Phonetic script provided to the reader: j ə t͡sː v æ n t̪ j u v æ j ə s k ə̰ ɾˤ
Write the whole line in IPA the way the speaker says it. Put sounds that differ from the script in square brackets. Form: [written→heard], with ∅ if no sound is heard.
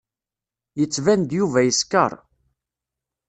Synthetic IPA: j ə t͡sː v æ n [t̪→d̪] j u v æ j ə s k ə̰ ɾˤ